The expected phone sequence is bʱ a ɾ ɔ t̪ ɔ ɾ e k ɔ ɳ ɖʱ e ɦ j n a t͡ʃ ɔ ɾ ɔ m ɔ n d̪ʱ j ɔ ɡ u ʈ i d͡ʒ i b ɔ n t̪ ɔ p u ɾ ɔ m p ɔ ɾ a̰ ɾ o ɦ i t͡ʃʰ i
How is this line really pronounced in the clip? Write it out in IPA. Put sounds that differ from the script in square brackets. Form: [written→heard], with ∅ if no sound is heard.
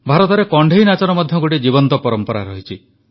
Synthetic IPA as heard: bʱ a ɾ ɔ t̪ ɔ ɾ e k ɔ ɳ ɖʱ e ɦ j n a t͡ʃ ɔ ɾ ɔ m ɔ [n→∅] d̪ʱ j ɔ ɡ [u→o] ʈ i d͡ʒ i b ɔ n t̪ ɔ p [u→ɔ] ɾ ɔ m p ɔ ɾ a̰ ɾ [o→ɔ] ɦ i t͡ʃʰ i